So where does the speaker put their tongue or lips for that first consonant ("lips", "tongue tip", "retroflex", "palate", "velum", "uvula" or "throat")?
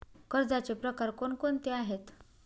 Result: velum